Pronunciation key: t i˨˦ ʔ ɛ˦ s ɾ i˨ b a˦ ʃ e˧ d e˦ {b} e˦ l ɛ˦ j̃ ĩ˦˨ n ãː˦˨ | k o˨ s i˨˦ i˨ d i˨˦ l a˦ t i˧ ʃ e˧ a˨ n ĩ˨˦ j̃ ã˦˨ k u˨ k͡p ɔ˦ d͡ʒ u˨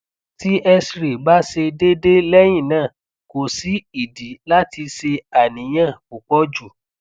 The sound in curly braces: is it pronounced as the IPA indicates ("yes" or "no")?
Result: no